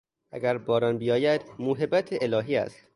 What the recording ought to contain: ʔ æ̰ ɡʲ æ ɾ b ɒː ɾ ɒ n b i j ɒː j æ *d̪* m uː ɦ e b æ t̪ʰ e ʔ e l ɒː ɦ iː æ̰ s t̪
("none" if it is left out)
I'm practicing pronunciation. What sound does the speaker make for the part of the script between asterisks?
d̪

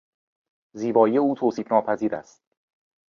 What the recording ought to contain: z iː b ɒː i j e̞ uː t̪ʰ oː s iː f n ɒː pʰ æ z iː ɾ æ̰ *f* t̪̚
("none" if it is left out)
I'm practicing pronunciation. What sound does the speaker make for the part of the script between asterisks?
s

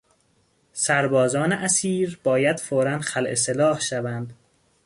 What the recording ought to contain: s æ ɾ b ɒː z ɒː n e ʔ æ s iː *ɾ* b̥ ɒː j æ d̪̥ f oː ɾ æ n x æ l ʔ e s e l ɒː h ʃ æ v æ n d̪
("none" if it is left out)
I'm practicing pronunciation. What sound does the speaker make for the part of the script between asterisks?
ɾ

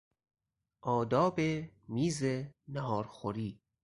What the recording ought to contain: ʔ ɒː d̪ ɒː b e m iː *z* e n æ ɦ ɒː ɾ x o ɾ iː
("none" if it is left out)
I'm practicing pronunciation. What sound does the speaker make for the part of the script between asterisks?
z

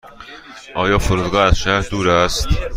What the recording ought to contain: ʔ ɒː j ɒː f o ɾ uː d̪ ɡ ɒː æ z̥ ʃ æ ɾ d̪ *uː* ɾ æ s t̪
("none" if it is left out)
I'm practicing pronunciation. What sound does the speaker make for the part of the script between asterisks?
uː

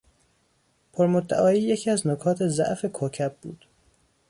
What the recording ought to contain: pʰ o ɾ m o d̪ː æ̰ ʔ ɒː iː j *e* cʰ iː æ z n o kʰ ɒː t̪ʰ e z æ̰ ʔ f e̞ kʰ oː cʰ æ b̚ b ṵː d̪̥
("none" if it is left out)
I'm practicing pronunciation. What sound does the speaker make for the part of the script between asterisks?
e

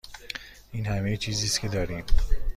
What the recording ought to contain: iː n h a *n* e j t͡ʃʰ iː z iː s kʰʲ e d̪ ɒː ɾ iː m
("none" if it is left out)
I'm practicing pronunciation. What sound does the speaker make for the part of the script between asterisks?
m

